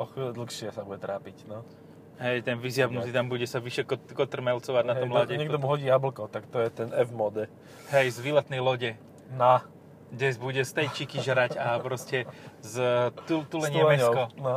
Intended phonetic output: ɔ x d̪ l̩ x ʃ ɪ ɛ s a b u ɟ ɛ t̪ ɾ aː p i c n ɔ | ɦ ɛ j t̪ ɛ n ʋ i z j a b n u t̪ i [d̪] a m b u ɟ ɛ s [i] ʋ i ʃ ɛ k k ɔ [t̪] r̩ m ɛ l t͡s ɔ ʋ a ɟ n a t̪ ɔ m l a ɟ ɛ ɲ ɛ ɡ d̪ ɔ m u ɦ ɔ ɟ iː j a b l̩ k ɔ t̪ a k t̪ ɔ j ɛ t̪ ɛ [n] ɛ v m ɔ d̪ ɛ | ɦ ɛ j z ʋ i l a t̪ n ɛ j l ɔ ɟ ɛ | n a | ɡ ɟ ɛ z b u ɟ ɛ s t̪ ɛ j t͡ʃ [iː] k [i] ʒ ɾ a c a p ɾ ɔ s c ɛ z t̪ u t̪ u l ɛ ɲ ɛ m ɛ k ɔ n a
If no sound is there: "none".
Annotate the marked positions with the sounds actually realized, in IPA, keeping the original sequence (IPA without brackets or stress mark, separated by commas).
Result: t̪, a, t̪, n, i, i